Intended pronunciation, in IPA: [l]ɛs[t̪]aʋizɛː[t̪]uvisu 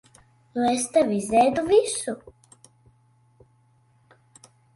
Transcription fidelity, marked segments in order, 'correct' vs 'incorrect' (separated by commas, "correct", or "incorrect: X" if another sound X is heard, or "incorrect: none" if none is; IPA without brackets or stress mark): correct, correct, incorrect: d̪